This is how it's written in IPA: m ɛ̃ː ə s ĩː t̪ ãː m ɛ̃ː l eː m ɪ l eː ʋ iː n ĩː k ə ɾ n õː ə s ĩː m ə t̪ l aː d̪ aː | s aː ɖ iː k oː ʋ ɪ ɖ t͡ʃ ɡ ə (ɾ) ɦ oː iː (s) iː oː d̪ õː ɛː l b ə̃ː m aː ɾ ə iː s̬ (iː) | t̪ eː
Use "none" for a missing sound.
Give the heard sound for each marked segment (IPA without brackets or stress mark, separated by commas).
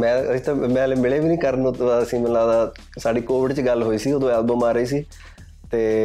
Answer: l, s, iː